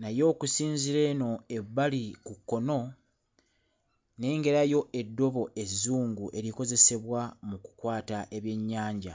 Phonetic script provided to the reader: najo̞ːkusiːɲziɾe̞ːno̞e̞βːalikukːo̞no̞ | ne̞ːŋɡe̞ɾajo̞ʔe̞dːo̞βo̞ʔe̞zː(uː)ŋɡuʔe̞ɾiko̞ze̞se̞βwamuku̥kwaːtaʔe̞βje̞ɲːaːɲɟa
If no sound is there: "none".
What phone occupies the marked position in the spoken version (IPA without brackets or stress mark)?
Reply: uː